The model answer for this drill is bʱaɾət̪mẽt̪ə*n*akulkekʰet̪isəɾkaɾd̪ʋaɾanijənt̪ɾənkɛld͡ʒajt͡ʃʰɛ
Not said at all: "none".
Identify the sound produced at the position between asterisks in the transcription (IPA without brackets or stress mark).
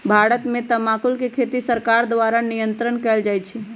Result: m